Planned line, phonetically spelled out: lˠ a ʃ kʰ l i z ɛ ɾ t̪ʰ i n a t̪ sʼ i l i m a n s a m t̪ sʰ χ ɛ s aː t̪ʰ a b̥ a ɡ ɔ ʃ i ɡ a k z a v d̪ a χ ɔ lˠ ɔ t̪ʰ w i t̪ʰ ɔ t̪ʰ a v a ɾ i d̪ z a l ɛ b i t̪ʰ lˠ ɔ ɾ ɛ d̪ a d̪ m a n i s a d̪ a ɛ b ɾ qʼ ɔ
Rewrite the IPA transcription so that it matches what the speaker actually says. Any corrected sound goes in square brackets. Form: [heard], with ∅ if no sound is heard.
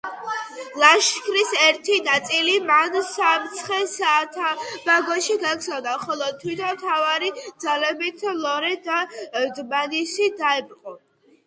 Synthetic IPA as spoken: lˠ a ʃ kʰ [ɾ] i [s] ɛ ɾ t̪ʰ i n a t̪ sʼ i l i m a n s a m t̪ sʰ χ ɛ s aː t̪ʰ a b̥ a ɡ ɔ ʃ i ɡ a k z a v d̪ a χ ɔ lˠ ɔ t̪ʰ w i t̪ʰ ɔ t̪ʰ a v a ɾ i d̪ z a l ɛ b i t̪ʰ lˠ ɔ ɾ ɛ d̪ a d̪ m a n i s [i] d̪ a ɛ b ɾ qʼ ɔ